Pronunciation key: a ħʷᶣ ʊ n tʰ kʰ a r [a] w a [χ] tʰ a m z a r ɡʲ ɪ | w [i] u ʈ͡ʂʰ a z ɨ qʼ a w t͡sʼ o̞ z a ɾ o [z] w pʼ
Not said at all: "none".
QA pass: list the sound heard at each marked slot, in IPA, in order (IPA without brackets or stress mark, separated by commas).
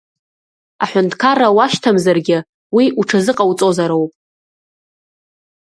a, ʃ, i, none